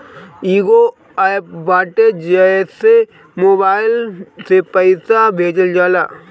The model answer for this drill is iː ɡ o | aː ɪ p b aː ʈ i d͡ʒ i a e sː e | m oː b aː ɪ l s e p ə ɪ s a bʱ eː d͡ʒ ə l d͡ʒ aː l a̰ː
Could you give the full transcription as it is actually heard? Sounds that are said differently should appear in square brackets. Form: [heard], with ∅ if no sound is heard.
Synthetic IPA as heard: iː ɡ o | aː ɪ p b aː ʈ [e] d͡ʒ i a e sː e | m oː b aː ɪ l s e p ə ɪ s a bʱ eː d͡ʒ ə l d͡ʒ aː l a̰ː